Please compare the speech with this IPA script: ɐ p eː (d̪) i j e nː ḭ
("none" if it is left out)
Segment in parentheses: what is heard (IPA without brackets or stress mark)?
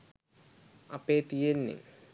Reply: t̪